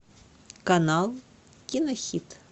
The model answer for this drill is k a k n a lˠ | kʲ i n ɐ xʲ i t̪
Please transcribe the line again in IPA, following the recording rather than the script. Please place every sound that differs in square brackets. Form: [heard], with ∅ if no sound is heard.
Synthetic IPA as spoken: k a [∅] n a lˠ | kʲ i n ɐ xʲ i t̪